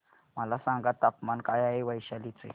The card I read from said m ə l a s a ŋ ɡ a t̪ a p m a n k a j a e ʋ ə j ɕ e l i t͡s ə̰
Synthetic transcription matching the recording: m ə l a s a ŋ ɡ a t̪ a p m a n k a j a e ʋ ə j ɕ a l i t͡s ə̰